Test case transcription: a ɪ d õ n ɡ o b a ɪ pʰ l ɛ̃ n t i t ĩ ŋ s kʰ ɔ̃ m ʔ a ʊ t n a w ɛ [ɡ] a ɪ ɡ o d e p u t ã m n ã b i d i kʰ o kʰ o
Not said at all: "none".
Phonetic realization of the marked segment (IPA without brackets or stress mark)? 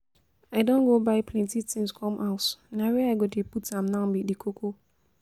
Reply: none